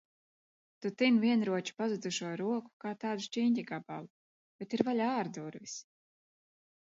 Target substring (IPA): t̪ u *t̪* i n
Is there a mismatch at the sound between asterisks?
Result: no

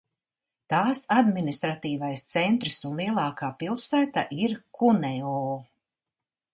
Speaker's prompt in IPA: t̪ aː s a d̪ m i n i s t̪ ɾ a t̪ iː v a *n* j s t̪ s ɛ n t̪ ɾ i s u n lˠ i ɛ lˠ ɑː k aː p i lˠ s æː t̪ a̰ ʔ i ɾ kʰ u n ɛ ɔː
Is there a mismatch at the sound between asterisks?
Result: yes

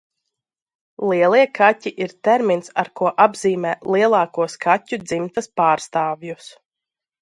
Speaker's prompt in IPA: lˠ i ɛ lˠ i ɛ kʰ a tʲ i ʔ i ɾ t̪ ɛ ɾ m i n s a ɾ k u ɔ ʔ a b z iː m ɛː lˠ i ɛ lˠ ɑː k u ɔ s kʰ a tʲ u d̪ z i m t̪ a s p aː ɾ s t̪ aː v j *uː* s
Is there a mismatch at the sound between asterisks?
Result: yes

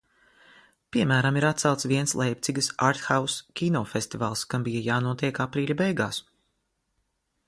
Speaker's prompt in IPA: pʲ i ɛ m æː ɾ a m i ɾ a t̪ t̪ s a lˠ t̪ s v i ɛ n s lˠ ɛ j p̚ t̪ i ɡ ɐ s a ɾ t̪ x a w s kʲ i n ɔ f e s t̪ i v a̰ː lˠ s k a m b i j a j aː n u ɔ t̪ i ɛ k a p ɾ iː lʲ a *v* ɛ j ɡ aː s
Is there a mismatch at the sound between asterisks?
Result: yes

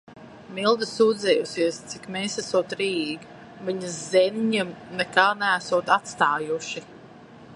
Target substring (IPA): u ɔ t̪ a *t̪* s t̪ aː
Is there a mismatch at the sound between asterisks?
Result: no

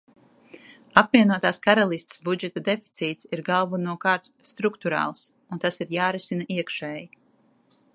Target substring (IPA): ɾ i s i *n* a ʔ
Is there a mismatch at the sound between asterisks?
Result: no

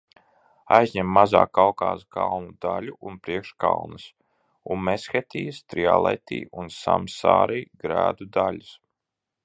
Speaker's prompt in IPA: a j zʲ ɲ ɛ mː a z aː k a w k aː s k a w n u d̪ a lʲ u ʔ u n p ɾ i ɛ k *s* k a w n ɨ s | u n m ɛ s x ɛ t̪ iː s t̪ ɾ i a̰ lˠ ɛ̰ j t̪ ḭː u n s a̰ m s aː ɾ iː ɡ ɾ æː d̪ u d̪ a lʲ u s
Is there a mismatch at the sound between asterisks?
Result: yes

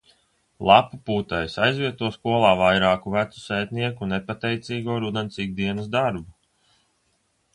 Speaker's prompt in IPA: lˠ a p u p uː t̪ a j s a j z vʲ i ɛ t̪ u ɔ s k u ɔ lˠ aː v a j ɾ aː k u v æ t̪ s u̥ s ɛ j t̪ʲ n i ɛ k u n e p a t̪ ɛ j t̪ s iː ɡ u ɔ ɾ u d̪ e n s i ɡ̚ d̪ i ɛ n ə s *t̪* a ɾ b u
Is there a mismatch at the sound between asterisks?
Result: yes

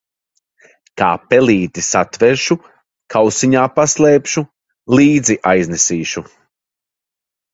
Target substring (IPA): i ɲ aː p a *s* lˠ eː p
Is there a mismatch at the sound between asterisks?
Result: no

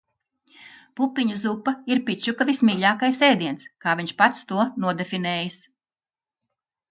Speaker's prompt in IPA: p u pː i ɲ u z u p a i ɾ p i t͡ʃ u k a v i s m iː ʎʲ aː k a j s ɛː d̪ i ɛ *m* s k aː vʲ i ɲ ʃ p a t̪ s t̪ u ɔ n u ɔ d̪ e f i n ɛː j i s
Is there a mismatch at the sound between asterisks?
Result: yes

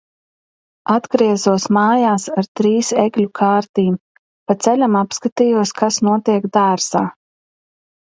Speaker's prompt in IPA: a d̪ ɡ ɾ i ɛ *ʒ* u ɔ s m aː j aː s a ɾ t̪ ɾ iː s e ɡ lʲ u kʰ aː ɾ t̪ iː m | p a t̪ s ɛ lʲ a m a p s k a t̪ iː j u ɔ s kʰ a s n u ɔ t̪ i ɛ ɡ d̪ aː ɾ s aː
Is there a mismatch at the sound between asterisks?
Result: yes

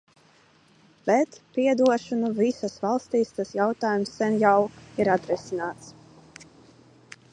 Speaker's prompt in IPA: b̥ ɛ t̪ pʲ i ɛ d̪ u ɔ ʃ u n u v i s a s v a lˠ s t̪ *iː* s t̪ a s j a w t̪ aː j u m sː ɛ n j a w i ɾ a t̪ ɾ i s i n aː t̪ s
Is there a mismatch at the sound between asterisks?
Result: no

